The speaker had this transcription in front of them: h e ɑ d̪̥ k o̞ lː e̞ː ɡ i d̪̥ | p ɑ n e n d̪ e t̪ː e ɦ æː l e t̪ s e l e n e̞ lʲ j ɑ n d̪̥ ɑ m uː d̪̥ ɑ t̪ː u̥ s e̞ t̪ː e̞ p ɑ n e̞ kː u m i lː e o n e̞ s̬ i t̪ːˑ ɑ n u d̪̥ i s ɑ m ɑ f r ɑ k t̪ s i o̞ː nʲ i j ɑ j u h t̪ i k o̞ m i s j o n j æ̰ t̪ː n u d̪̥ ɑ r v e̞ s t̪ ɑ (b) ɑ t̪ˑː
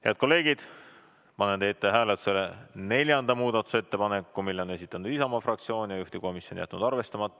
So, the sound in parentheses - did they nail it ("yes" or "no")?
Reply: no